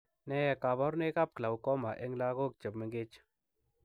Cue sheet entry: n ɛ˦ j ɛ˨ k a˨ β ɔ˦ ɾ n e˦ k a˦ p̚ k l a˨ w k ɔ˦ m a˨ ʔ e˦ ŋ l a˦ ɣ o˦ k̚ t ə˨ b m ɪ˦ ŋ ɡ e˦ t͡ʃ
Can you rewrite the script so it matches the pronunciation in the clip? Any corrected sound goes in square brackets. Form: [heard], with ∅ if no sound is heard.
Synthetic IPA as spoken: n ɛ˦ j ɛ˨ k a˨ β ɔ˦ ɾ n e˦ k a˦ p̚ k l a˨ w k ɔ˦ m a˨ ʔ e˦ ŋ l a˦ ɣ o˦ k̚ [t͡ʃ] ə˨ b m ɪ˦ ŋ ɡ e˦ t͡ʃ

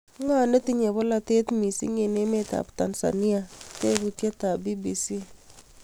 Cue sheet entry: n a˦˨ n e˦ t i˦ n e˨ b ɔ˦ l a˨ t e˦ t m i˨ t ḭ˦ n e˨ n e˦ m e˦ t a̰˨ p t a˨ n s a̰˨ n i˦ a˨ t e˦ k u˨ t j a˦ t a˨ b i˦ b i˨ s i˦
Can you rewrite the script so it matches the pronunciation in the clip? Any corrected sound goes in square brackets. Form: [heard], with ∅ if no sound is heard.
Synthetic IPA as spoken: [ŋ] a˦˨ n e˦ t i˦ [ɲ] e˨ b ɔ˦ l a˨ t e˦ t m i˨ [s] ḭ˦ [ŋ] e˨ n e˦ m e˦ t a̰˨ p t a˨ n s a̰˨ n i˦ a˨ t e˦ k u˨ t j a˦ t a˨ b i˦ b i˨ s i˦

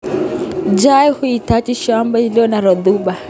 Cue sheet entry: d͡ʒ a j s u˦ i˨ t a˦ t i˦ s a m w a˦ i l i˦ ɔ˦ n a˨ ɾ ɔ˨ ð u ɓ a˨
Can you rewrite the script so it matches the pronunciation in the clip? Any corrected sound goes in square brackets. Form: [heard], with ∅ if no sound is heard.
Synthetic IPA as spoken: d͡ʒ a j [h] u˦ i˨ t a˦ [t͡ʃ] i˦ [ʃ] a m [b] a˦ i l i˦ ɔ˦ n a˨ ɾ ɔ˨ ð u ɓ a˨

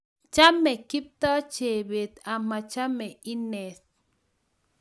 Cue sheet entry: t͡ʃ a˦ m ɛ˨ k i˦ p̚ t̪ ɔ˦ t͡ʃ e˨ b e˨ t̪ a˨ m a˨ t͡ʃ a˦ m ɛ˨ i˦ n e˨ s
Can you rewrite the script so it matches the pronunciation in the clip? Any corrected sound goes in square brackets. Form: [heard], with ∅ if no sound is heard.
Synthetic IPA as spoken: t͡ʃ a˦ m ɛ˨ k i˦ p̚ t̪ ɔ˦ t͡ʃ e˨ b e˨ t̪ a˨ m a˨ t͡ʃ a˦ m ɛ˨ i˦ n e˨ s

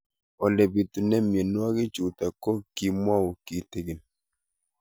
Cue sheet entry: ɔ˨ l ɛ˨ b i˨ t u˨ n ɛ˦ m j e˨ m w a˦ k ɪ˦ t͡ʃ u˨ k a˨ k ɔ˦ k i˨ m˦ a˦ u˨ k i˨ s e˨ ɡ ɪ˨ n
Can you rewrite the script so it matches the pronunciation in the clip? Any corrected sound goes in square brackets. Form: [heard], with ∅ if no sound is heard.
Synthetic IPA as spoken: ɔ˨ l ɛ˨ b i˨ t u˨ n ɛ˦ m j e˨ [n] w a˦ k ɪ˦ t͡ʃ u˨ [t] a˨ k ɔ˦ k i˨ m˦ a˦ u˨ k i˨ [t] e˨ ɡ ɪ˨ n

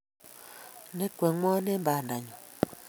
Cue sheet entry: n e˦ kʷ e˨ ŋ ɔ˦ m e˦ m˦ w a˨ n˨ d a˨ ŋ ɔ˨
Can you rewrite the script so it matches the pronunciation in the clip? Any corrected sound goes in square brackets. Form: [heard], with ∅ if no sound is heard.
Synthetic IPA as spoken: n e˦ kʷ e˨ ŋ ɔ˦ [n] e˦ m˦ [b] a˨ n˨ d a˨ [ɲ] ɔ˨

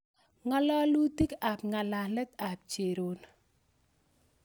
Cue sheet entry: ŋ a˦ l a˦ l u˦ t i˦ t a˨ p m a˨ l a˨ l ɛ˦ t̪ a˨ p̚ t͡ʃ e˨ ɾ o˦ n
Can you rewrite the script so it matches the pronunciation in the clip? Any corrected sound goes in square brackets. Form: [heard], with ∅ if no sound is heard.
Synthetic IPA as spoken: ŋ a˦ l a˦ l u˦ t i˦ [k] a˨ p [ŋ] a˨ l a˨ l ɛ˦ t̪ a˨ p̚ t͡ʃ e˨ ɾ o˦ n

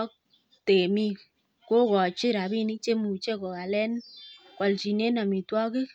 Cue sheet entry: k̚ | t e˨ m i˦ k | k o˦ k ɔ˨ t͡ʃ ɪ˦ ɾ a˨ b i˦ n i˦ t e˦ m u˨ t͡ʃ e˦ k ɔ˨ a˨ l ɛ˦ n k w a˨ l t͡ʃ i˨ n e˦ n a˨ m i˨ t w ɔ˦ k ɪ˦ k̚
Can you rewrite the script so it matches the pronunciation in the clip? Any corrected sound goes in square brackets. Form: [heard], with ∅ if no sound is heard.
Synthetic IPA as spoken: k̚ | t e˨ m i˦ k | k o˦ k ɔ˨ t͡ʃ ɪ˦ ɾ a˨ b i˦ n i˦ [t͡ʃ] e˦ m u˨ t͡ʃ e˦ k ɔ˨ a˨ l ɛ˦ n k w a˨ l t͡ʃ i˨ n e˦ n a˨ m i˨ t w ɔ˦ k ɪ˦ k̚

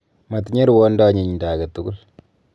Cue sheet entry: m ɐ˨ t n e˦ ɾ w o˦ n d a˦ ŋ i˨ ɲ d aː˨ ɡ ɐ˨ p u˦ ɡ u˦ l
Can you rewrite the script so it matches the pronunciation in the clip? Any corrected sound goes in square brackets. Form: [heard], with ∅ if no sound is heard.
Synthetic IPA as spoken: m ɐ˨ t [ɲ] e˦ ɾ w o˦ n d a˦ [ɲ] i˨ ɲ d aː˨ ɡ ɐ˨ [t] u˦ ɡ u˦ l

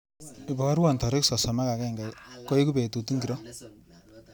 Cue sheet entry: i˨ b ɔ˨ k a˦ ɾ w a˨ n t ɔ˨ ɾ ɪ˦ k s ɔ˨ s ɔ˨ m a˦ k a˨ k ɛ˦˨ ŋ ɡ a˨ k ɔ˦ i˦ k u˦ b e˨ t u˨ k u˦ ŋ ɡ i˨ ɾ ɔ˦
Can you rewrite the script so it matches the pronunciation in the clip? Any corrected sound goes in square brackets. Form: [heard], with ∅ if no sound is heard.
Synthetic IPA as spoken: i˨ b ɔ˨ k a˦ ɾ w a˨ n t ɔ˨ ɾ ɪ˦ k s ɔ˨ s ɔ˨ m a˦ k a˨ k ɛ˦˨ ŋ ɡ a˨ k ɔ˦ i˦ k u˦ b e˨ t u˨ [t] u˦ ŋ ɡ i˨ ɾ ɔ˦

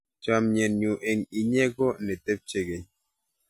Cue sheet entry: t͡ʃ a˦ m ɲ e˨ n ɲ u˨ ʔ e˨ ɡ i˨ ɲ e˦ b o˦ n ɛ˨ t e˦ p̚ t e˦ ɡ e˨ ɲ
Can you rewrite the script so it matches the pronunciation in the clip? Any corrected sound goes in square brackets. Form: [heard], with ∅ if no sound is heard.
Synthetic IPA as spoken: t͡ʃ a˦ m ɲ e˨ n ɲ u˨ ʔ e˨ [ŋ] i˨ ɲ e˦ [ɡ] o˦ n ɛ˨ t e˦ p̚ [t͡ʃ] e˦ ɡ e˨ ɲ

